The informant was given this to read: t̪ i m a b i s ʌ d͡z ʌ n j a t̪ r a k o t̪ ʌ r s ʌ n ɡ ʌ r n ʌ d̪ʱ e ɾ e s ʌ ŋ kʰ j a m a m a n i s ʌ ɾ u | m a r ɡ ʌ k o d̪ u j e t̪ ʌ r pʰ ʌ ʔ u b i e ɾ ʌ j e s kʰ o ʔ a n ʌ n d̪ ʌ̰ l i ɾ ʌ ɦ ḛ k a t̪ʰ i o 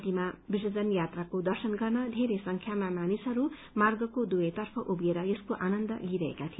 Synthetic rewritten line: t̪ i m a b i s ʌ d͡z ʌ n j a t̪ r a k o d̪ ʌ r s ʌ n ɡ ʌ r n ʌ d̪ʱ e ɾ e s ʌ ŋ kʰ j a m a m a n i s ʌ ɾ u | m a r ɡ ʌ k o d̪ u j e t̪ ʌ r pʰ ʌ ʔ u b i e ɾ ʌ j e s k o ʔ a n ʌ n d̪ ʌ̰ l i ɾ ʌ ɦ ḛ k a t̪ʰ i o